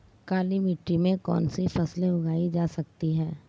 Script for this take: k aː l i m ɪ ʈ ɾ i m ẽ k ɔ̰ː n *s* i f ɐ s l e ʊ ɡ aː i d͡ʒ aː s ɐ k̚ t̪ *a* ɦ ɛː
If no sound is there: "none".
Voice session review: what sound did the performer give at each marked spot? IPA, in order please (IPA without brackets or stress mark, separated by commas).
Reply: s, i